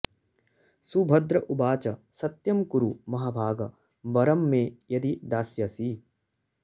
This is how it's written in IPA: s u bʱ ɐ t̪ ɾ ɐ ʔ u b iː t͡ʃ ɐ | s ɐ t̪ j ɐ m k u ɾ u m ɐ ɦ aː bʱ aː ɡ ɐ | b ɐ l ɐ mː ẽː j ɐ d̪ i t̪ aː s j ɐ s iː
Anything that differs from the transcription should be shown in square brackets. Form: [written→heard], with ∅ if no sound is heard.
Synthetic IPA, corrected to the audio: s u bʱ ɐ [t̪→d̪] ɾ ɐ ʔ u b [iː→aː] t͡ʃ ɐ | s ɐ t̪ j ɐ m k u ɾ u m ɐ ɦ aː bʱ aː ɡ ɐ | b ɐ [l→ɾ] ɐ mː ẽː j ɐ d̪ i [t̪→d̪] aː s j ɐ s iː